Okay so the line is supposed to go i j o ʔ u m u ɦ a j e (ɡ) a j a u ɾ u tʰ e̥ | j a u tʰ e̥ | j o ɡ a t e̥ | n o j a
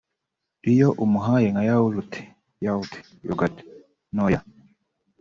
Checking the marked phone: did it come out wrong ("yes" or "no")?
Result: yes